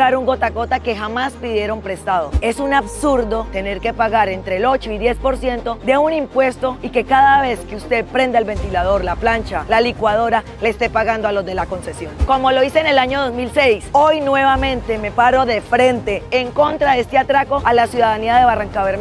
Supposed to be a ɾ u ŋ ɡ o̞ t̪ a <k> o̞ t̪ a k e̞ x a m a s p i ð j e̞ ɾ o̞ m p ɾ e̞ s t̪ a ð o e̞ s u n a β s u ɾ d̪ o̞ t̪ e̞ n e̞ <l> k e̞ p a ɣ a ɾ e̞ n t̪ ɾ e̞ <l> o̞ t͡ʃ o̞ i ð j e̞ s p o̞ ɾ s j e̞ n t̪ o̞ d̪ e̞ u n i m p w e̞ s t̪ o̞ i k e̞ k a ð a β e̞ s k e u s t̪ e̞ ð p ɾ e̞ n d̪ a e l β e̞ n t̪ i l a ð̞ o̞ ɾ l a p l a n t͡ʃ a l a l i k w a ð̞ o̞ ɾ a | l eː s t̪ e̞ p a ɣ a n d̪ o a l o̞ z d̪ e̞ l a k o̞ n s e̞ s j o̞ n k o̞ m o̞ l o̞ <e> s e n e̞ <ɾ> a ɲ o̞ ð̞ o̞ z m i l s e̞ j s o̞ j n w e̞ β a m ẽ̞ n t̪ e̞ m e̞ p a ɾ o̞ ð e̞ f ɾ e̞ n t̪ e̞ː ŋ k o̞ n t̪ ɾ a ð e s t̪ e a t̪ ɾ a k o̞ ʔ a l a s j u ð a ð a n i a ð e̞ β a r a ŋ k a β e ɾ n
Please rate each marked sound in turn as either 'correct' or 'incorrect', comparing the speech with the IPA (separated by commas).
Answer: correct, incorrect, correct, incorrect, incorrect